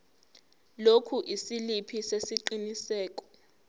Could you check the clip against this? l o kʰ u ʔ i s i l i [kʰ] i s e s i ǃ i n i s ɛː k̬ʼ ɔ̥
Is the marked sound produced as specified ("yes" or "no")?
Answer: no